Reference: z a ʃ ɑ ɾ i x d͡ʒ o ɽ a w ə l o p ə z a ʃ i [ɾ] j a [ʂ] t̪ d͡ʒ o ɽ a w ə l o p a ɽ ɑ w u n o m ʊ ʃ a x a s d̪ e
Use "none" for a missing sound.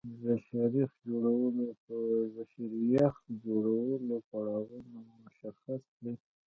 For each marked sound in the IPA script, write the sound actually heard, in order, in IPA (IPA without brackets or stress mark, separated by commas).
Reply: ɾ, x